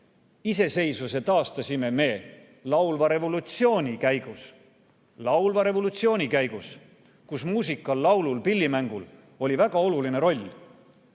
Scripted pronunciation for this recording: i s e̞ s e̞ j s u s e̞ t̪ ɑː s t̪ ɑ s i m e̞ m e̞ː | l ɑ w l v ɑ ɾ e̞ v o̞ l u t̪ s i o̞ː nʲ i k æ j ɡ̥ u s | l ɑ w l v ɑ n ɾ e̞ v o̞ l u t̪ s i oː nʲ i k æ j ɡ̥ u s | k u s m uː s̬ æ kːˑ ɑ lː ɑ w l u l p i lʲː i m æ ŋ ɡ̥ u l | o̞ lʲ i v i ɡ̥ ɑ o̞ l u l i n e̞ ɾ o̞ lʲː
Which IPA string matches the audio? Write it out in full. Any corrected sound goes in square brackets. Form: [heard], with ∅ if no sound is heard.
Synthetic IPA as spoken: i s e̞ s e̞ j s u s e̞ t̪ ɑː s t̪ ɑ s i m e̞ m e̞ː | l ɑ w l v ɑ ɾ e̞ v o̞ l u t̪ s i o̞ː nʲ i k æ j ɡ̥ u s | l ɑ w l v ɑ [∅] ɾ e̞ v o̞ l u t̪ s i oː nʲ i k æ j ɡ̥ u s | k u s m uː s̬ [i] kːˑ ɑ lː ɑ w l u l p i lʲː i m æ ŋ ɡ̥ u l | o̞ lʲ i v [æ] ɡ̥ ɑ o̞ l u l i n e̞ ɾ o̞ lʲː